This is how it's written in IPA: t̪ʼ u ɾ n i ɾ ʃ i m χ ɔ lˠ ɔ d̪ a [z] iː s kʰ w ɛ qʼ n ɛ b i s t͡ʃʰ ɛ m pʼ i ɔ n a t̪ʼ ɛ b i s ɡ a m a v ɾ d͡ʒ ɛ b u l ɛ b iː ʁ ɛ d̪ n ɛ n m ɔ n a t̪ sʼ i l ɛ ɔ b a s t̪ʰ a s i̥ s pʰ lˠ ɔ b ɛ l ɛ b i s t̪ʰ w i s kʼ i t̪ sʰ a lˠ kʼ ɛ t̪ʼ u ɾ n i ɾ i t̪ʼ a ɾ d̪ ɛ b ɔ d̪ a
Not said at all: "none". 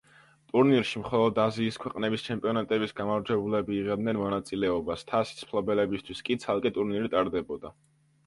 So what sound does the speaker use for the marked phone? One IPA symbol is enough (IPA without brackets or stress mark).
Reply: z